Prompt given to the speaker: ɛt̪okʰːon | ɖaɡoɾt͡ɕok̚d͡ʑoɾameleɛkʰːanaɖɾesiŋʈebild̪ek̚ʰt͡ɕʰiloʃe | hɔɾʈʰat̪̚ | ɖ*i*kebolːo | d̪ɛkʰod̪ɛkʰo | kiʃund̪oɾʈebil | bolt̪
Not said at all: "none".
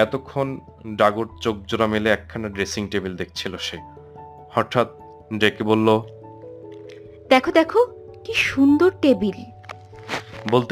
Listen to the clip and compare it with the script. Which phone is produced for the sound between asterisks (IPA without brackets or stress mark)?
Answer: e